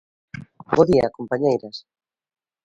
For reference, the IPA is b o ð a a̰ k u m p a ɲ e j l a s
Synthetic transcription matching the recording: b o ð i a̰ k o m p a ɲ e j ɾ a s